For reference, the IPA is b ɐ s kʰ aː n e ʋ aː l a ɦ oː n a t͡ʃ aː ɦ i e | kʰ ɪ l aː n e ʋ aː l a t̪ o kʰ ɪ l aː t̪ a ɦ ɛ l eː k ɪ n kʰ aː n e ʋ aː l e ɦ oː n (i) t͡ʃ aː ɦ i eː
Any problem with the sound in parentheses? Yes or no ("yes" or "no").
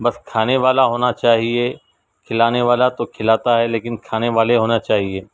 yes